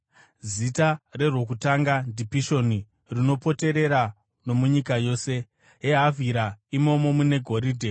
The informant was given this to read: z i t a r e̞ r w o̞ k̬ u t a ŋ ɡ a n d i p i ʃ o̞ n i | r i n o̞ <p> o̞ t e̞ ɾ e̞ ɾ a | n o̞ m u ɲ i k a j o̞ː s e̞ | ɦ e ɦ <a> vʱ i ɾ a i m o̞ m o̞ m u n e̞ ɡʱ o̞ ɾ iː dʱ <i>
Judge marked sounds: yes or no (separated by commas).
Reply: yes, yes, no